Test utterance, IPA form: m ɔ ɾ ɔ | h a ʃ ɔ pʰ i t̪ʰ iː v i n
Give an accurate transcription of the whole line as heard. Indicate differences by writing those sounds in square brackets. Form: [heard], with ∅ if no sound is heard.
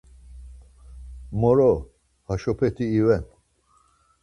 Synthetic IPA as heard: m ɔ ɾ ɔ | h a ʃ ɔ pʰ [ɛ] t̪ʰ iː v [ɛ] n

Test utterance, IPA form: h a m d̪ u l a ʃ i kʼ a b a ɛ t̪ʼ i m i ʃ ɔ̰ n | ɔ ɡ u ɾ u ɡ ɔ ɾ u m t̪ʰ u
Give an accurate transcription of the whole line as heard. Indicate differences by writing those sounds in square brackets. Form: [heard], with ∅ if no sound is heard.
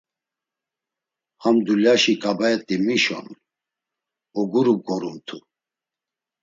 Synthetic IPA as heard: h a m d̪ u l a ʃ i kʼ a b a ɛ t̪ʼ i m i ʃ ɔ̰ n | ɔ ɡ u ɾ u ɡ ɔ ɾ u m t̪ʰ u

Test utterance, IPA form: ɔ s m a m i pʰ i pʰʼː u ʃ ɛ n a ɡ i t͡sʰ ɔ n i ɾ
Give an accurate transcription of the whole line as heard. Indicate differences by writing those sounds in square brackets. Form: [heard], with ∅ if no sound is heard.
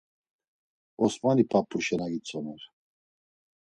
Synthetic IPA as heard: ɔ s m a [n] i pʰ [a] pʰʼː u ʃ ɛ n a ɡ i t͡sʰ ɔ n [ɛ] ɾ

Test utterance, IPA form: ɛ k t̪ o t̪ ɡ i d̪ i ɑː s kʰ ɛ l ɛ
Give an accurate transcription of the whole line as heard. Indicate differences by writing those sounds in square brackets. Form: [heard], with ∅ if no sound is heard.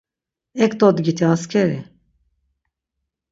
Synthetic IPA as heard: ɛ k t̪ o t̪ ɡ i [t̪] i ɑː s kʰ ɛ [ɾ] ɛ

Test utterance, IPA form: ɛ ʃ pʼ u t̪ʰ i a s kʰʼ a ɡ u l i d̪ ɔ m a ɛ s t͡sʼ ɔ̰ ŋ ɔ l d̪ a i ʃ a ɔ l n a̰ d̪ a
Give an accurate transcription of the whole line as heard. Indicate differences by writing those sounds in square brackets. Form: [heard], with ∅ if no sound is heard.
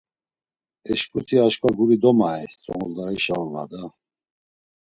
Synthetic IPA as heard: ɛ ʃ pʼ u t̪ʰ i a [ʃ] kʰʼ a ɡ u [ɾ] i d̪ ɔ m a ɛ s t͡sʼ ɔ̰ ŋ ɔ l d̪ a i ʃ a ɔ l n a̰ d̪ a

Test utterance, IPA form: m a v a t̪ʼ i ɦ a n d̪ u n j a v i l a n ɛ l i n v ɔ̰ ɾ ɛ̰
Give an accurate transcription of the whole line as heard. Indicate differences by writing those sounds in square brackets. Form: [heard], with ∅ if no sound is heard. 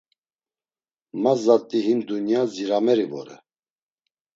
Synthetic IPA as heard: m a [z] a t̪ʼ i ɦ [i] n d̪ u n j a [z] i [ɾ] a [m] ɛ [ɾ] i [∅] v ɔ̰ ɾ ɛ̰

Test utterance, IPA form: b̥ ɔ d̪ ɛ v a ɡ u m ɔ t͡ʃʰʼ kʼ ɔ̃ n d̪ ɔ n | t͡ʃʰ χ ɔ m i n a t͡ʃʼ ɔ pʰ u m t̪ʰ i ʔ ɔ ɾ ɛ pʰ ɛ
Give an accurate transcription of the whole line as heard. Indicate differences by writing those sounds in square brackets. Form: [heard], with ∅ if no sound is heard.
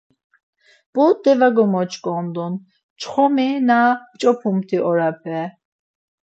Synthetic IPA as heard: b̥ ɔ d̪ ɛ v a ɡ [ɔ] m ɔ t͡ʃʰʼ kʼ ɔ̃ n d̪ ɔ n | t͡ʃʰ χ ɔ m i n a t͡ʃʼ ɔ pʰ u m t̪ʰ i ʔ ɔ ɾ [a] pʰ ɛ

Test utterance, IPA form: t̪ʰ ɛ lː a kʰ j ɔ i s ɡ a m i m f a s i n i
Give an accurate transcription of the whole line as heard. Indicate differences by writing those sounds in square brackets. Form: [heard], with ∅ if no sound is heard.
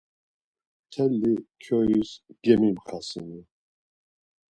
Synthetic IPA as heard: t̪ʰ ɛ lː [i] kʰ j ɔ i s ɡ [ɛ] m i m [χ] a s i n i

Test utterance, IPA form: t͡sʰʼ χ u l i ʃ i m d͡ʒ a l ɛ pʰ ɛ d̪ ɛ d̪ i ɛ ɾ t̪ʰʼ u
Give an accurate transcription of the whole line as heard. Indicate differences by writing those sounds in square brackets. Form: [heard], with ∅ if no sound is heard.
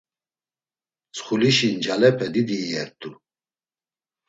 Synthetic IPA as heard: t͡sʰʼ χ u l i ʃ i [n] d͡ʒ a l ɛ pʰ ɛ d̪ [i] d̪ i ɛ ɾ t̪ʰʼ u

